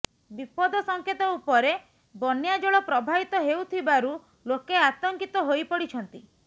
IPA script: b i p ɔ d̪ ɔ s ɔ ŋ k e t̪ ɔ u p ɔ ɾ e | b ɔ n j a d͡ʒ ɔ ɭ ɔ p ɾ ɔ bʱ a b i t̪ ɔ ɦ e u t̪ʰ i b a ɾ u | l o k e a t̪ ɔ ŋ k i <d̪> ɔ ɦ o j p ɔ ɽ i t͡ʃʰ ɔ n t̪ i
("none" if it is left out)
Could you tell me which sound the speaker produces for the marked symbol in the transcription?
t̪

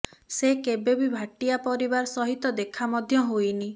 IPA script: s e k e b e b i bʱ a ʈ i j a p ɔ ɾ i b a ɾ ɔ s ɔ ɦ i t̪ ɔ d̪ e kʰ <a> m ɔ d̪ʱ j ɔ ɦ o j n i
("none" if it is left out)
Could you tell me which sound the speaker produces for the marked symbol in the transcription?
a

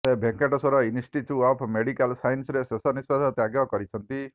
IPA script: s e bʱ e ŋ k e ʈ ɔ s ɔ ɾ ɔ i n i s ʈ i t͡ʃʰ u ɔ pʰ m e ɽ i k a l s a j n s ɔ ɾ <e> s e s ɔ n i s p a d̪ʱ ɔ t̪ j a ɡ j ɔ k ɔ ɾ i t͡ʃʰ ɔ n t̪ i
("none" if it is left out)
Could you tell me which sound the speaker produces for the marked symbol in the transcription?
e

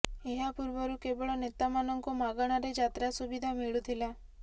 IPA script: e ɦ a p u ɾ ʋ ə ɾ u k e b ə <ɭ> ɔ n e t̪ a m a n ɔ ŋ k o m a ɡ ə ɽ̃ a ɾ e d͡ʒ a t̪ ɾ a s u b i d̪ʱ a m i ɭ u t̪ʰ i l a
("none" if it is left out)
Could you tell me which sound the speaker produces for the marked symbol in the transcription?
ɭ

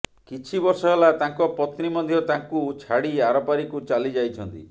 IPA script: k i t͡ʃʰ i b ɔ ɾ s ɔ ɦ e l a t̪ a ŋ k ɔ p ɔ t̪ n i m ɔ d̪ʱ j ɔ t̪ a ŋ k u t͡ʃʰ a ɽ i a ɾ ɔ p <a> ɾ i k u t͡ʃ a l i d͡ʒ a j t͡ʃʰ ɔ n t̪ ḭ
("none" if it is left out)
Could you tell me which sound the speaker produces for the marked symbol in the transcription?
a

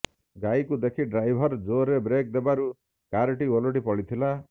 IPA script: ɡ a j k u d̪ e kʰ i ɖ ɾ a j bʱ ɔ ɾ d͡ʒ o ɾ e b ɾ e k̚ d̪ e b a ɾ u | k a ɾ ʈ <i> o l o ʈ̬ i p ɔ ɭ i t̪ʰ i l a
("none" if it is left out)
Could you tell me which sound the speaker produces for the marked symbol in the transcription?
i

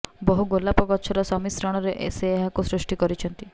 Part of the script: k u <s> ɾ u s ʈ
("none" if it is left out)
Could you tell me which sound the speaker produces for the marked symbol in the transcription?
s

